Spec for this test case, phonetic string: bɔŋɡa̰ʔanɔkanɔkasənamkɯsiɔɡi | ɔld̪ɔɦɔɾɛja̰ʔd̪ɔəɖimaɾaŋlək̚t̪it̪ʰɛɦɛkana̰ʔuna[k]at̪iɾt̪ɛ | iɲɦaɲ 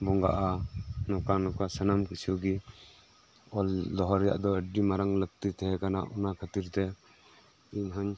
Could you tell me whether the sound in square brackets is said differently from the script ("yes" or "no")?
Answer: yes